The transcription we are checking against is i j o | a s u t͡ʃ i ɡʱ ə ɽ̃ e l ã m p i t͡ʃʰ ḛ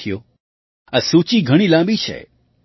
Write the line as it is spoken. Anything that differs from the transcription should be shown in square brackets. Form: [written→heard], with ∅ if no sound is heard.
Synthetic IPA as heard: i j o | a s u t͡ʃ i ɡʱ ə ɽ̃ [e→i] l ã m [p→b] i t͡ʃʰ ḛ